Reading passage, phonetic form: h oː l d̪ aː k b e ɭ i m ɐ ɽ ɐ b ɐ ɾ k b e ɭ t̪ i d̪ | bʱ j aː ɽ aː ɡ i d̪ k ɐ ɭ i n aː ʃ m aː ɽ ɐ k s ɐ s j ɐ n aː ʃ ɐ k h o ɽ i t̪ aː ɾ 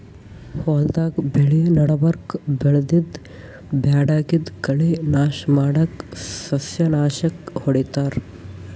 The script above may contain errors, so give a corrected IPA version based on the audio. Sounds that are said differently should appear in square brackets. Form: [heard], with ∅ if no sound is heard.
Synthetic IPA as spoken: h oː l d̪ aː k b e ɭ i [n] ɐ ɽ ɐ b ɐ ɾ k b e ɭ [d̪] i d̪ | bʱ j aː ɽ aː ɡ i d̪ k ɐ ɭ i n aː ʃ m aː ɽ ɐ k s ɐ s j ɐ n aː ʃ ɐ k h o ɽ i t̪ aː ɾ

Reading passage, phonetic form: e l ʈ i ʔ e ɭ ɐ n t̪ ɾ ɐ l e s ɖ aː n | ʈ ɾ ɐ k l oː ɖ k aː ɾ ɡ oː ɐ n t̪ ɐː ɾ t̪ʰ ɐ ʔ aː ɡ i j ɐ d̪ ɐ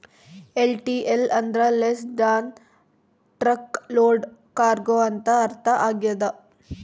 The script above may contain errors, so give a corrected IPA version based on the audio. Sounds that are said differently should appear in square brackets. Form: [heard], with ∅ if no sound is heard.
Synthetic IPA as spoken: e l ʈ i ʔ e [l] ɐ n [d̪] ɾ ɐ l e s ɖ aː n | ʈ ɾ ɐ k l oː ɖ k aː ɾ ɡ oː ɐ n t̪ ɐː ɾ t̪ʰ ɐ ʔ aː ɡ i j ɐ d̪ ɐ

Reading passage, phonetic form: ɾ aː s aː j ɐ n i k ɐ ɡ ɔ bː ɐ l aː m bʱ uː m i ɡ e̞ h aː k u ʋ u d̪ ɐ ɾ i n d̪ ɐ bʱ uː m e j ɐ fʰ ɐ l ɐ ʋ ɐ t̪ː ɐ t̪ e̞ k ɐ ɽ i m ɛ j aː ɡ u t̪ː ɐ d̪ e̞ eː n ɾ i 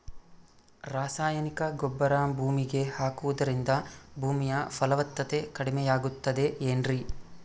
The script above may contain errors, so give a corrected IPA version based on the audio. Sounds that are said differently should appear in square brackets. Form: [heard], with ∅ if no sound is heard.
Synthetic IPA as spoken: ɾ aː s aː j ɐ n i k ɐ ɡ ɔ bː ɐ [ɾ] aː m bʱ uː m i ɡ e̞ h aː k u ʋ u d̪ ɐ ɾ i n d̪ ɐ bʱ uː m [i] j ɐ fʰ ɐ l ɐ ʋ ɐ t̪ː ɐ t̪ e̞ k ɐ ɽ i m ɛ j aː ɡ u t̪ː ɐ d̪ e̞ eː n ɾ i

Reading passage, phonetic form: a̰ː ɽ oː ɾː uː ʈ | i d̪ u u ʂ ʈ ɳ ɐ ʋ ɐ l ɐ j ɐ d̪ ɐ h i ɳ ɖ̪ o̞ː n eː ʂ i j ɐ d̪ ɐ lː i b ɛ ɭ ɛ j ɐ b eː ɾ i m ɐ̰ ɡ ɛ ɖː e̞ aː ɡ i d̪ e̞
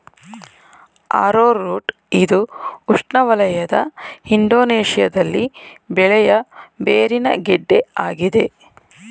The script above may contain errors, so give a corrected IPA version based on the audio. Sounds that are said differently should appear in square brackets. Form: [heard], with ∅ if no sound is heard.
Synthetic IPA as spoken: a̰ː [ɾ] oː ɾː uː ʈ | i d̪ u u ʂ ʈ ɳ ɐ ʋ ɐ l ɐ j ɐ d̪ ɐ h i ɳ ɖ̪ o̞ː n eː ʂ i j ɐ d̪ ɐ lː i b ɛ ɭ ɛ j ɐ b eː ɾ i [n] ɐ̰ ɡ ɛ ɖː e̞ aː ɡ i d̪ e̞

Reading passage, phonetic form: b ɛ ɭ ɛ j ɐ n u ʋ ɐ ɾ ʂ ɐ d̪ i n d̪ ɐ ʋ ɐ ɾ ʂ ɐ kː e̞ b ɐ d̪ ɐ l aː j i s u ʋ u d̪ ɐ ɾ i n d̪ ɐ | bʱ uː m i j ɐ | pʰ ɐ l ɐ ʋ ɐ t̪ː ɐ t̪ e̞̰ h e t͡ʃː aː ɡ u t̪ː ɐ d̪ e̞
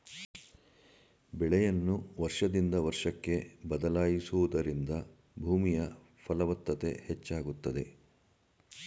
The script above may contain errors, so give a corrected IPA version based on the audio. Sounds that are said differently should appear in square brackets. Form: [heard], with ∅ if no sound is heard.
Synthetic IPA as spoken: b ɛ ɭ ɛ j ɐ [nː] u ʋ ɐ ɾ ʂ ɐ d̪ i n d̪ ɐ ʋ ɐ ɾ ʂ ɐ kː e̞ b ɐ d̪ ɐ l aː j i s u ʋ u d̪ ɐ ɾ i n d̪ ɐ | bʱ uː m i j ɐ | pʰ ɐ l ɐ ʋ ɐ t̪ː ɐ t̪ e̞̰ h e t͡ʃː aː ɡ u t̪ː ɐ d̪ e̞

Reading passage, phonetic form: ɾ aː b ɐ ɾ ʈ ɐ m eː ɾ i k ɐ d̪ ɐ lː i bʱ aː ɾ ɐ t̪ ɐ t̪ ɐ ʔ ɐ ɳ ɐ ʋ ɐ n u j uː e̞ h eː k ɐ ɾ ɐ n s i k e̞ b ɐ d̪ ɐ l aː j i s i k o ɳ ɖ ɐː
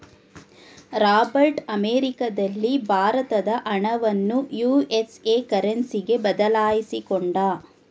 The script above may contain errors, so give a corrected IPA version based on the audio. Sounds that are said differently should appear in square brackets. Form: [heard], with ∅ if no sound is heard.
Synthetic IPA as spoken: ɾ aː b ɐ ɾ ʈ ɐ m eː ɾ i k ɐ d̪ ɐ lː i bʱ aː ɾ ɐ t̪ ɐ [d̪] ɐ ʔ ɐ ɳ ɐ ʋ ɐ [nː] u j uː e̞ [s] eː k ɐ ɾ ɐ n s i [ɡ] e̞ b ɐ d̪ ɐ l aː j i s i k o ɳ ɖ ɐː

